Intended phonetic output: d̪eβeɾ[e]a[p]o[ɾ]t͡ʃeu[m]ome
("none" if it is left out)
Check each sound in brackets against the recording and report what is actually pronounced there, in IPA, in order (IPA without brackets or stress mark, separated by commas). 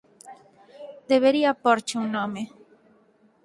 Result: i, p, ɾ, n